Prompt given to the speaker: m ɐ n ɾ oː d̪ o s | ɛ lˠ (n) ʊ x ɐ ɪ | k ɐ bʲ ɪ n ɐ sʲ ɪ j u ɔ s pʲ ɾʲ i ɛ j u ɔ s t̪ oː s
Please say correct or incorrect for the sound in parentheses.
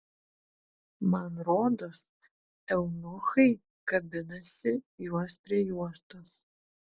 correct